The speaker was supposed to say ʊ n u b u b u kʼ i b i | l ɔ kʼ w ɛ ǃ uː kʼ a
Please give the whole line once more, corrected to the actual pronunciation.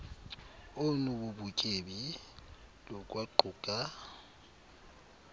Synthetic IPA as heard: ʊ n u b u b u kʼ e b i | l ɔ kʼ w a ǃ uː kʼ a